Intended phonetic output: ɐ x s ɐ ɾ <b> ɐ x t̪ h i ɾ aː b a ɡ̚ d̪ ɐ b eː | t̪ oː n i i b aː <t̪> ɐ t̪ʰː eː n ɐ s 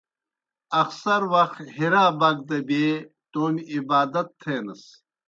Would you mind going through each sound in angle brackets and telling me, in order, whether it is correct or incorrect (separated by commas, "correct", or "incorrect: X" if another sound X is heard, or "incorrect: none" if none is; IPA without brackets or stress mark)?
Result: incorrect: w, incorrect: d̪